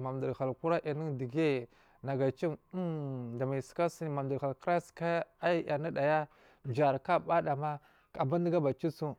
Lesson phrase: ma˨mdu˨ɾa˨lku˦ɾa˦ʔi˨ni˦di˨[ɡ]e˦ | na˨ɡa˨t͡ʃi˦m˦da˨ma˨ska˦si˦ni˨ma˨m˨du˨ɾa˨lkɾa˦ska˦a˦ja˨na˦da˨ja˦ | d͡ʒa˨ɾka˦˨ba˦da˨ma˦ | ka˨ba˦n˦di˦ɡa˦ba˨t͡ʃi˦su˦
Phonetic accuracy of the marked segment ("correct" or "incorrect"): correct